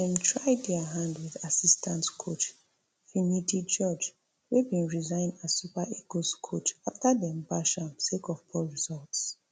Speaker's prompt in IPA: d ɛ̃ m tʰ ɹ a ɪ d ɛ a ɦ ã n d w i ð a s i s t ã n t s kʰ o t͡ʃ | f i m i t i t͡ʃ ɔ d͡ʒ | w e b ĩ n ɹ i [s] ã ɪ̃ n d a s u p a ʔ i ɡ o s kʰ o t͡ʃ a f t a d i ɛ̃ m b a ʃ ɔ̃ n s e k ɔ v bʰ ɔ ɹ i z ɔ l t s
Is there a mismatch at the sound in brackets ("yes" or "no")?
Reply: yes